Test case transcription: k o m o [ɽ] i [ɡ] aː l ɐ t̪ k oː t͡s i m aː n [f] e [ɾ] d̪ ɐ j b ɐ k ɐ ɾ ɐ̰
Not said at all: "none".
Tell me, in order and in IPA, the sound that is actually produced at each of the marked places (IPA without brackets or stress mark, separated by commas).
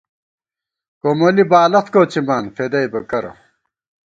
l, b, f, none